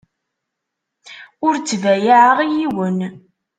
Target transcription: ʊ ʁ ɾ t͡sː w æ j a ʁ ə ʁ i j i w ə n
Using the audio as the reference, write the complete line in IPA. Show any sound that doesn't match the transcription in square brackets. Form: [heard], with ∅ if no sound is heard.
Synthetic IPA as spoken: ʊ [∅] ɾ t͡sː [v] æ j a [ʕ] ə ʁ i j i w ə n